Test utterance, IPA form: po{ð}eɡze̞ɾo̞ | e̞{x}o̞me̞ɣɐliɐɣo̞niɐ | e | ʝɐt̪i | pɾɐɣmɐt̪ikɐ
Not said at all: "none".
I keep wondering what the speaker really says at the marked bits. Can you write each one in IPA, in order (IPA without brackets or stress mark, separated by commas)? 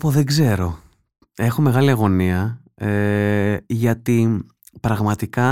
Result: ð, x